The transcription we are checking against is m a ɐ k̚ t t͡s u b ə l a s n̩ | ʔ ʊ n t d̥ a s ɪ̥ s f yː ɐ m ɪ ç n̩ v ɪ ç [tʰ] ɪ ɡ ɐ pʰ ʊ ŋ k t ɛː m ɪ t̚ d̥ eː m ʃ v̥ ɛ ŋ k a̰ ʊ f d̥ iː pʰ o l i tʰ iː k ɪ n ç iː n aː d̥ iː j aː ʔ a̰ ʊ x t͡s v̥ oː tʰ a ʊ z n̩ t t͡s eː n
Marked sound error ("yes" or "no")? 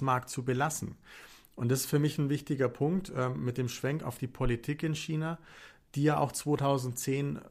yes